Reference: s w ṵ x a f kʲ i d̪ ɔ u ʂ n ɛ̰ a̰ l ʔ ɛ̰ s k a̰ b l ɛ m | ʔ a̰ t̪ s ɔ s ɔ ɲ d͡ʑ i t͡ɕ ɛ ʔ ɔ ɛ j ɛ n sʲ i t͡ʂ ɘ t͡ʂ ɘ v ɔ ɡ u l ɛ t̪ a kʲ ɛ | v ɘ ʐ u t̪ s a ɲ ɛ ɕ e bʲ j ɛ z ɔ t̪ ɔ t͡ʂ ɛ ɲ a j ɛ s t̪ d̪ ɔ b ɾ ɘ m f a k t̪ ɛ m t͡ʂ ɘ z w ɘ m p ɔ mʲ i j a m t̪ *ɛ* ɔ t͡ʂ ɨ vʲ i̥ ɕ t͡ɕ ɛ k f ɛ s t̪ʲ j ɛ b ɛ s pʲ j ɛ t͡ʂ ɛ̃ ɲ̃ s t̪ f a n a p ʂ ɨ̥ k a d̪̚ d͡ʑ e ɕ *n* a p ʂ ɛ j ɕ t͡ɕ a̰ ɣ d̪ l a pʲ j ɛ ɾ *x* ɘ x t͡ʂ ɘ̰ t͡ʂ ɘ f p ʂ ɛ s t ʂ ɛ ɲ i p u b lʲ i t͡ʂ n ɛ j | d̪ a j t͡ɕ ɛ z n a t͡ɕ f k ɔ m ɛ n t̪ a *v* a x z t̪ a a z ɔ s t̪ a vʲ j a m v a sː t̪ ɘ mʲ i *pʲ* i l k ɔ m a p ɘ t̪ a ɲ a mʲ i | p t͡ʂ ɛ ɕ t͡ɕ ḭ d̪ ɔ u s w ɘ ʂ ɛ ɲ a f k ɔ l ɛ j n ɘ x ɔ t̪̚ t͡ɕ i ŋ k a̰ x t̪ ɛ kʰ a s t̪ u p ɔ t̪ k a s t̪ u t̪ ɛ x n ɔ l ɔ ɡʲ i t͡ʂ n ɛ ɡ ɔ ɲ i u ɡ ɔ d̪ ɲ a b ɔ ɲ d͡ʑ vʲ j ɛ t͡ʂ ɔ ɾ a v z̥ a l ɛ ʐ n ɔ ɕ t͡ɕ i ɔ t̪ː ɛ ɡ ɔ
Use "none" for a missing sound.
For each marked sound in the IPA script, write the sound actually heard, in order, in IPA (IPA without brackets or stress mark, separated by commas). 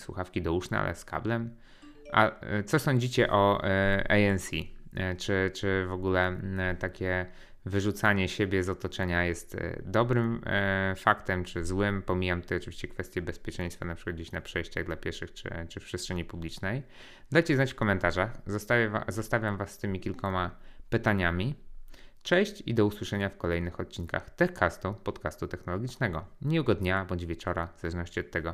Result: ɛ, n, ʂ, ʐ, kʲ